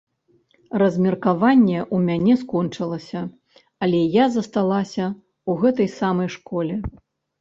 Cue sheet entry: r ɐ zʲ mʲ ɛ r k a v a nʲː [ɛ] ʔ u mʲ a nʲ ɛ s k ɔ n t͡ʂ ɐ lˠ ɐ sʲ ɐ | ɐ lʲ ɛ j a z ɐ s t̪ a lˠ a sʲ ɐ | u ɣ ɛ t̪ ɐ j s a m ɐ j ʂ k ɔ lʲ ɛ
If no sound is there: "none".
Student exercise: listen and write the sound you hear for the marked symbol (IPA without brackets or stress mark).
ɛ